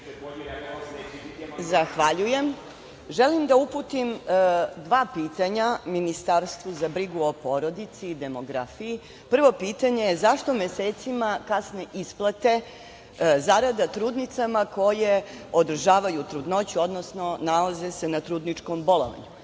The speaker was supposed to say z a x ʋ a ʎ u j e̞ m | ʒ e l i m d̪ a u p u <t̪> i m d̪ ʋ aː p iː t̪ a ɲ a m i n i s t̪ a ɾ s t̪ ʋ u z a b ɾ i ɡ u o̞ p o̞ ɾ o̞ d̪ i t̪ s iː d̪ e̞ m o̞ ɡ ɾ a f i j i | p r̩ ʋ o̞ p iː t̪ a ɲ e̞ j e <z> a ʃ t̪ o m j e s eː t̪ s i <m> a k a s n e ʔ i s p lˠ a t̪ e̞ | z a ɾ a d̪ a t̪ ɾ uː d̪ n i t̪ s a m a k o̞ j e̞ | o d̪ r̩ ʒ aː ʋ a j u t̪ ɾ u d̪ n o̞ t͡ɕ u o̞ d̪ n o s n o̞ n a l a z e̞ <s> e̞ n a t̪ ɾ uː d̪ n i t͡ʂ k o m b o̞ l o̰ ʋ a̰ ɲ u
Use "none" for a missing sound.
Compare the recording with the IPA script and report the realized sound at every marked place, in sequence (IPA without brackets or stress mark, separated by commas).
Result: t̪, z, m, s